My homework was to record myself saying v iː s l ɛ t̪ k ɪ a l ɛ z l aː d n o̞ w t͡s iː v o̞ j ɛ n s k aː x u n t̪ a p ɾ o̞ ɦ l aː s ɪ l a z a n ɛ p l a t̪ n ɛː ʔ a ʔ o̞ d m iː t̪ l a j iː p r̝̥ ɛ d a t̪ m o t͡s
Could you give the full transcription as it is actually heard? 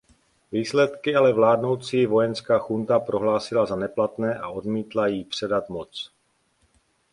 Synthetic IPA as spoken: v iː s l ɛ t̪ k ɪ a l ɛ v l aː d n o̞ w t͡s iː v o̞ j ɛ n s k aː x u n t̪ a p ɾ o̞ ɦ l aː s ɪ l a z a n ɛ p l a t̪ n ɛː ʔ a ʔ o̞ d m iː t̪ l a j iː p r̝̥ ɛ d a t̪ m o t͡s